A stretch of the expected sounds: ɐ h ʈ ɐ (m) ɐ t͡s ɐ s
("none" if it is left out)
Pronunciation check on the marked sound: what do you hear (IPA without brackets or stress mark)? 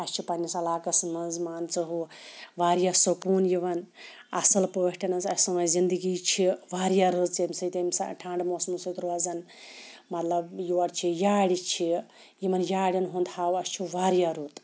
n